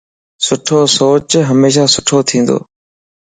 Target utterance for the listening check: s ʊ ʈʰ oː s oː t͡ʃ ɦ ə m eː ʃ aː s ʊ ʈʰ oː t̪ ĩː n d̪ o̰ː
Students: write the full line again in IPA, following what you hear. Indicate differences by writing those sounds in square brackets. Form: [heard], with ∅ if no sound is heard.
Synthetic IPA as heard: s ʊ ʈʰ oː s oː t͡ʃ ɦ ə m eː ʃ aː s ʊ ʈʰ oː [t̪ʰ] ĩː n d̪ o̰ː